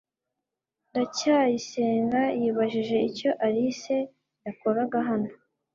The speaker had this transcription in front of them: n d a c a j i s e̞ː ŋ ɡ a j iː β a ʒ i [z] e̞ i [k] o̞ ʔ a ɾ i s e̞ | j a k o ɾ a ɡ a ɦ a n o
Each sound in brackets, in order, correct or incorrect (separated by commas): incorrect, incorrect